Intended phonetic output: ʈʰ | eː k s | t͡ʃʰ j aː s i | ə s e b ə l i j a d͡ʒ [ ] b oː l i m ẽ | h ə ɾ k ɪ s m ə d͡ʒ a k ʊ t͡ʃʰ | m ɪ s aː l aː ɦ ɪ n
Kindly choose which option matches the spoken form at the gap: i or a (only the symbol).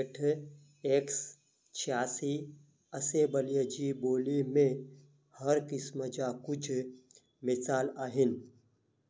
i